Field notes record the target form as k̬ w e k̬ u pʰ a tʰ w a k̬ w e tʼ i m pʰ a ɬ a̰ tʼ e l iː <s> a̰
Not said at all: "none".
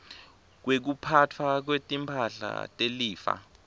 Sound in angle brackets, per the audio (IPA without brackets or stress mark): f